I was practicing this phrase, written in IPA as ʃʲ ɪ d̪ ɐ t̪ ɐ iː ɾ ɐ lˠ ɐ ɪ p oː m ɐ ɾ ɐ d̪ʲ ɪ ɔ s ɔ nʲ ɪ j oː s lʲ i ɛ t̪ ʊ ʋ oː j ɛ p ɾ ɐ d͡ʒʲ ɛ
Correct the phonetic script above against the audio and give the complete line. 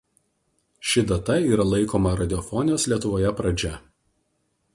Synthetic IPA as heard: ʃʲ ɪ d̪ ɐ t̪ ɐ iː ɾ ɐ lˠ ɐ ɪ k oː m ɐ ɾ ɐ d̪ʲ ɪ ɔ f ɔ nʲ ɪ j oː s lʲ i ɛ t̪ ʊ ʋ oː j ɛ p ɾ ɐ d͡ʒʲ ɛ